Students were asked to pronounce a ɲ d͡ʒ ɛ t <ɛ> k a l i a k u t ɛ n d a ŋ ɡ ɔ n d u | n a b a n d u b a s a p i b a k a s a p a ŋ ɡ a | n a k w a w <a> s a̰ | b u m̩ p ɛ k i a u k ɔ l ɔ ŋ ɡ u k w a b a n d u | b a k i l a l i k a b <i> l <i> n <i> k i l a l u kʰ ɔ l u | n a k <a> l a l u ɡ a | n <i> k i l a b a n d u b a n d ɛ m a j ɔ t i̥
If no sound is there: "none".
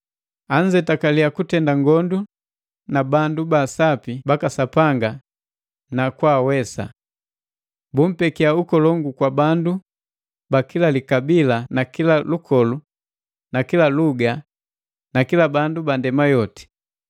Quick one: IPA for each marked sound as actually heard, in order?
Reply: a, ɛ, i, a, a, i, a

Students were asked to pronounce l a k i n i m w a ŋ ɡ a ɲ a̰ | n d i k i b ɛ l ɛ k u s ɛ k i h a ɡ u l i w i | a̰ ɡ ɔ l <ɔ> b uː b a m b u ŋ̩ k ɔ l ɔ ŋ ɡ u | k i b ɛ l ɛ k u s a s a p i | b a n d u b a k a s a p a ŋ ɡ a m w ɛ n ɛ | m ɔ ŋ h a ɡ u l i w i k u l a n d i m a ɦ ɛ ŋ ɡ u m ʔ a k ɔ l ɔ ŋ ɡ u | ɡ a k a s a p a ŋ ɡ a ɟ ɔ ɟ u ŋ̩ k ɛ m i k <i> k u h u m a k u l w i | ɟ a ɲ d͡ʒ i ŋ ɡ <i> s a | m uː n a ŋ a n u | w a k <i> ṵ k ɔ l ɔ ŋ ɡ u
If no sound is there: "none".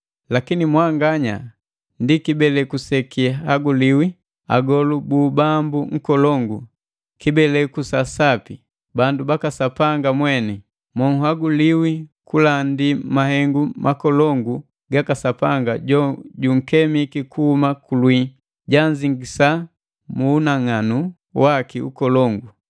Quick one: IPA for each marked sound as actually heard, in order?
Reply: u, i, i, i

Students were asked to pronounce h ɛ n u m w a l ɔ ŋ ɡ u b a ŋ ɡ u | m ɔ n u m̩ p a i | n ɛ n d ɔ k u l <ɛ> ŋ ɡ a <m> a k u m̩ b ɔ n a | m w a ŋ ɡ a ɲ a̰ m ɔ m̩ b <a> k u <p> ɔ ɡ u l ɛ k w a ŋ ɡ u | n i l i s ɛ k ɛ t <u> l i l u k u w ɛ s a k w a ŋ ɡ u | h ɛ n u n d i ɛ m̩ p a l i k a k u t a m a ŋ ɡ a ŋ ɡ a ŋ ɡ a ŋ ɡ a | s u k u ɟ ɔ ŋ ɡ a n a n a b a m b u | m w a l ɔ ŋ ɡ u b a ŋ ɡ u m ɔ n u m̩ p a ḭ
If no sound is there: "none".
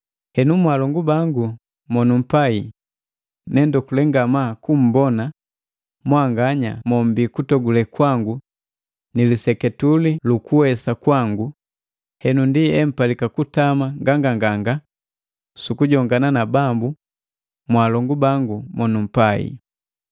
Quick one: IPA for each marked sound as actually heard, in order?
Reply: ɛ, m, i, t, u

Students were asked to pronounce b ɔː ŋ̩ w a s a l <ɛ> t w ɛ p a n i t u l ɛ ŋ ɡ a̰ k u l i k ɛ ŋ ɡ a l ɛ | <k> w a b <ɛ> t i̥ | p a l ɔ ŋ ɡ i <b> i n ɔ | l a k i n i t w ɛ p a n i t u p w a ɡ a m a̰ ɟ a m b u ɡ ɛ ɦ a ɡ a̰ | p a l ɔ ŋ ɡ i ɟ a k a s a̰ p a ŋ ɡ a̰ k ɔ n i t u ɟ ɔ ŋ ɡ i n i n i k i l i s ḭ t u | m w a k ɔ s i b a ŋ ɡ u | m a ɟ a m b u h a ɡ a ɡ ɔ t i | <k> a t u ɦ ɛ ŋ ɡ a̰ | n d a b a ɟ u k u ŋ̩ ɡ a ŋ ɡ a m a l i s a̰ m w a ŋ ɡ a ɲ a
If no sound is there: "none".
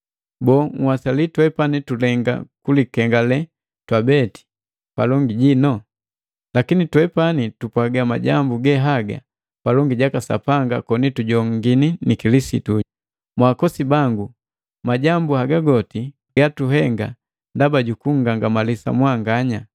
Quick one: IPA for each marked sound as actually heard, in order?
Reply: i, t, ɛ, ɟ, ɡ

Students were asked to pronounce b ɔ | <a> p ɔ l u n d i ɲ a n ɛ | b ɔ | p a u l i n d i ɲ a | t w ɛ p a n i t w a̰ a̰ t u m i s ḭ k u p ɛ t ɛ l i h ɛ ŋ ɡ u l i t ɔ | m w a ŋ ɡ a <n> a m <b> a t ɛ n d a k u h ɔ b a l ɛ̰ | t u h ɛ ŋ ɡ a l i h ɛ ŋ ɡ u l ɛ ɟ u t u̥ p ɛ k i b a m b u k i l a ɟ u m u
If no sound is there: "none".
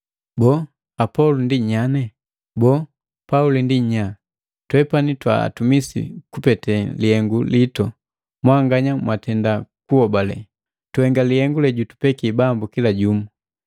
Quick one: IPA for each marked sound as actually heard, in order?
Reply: a, ɲ, w

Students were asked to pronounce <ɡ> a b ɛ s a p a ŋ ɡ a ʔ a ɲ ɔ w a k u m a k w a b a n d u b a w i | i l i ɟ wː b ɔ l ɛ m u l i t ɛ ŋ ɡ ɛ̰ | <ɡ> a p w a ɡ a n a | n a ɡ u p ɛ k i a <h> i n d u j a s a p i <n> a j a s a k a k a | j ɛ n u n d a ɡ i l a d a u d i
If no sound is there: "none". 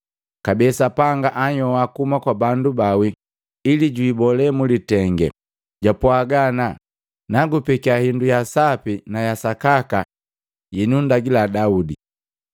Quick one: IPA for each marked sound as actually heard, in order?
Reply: k, ɟ, h, n

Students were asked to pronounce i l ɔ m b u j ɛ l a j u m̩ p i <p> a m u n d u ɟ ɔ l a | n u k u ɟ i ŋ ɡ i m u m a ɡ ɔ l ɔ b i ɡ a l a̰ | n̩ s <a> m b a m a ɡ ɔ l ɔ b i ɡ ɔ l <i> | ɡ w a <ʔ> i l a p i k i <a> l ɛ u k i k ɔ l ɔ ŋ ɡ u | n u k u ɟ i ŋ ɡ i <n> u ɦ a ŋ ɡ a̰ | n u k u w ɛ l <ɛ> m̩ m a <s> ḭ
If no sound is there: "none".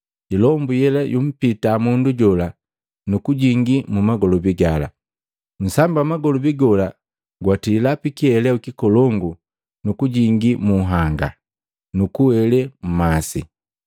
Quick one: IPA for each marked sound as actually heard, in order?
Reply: t, a, a, t, ɛ, m, ɛ, s

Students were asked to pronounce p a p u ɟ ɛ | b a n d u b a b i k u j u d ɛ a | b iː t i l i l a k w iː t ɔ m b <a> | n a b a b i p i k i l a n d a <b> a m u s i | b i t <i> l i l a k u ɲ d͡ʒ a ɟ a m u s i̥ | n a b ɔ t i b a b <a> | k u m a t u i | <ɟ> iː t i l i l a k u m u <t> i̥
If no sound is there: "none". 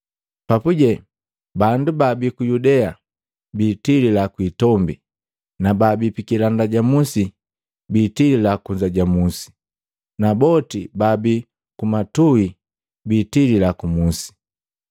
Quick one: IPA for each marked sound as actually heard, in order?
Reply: i, ɟ, i, i, b, s

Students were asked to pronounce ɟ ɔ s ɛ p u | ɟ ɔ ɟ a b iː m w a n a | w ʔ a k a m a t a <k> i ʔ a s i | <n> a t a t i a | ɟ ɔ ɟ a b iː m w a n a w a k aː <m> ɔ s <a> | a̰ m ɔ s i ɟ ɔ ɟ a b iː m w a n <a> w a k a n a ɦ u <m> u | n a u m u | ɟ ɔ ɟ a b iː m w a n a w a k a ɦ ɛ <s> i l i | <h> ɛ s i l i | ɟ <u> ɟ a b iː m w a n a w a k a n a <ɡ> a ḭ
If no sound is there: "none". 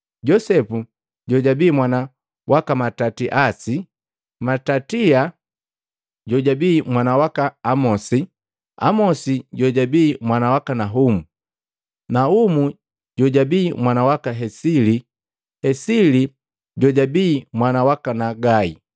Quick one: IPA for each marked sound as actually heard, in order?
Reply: t, m, m, i, a, m, s, h, ɔ, ɡ

